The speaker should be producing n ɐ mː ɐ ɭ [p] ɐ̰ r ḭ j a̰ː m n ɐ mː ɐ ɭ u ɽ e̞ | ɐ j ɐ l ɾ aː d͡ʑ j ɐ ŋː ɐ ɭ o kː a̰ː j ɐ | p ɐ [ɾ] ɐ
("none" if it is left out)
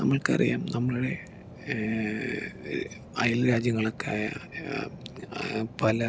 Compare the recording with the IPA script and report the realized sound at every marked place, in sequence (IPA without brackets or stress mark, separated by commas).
k, l